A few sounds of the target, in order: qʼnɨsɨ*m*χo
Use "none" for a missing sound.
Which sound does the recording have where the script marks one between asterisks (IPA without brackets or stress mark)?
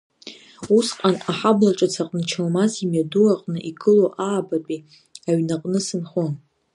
n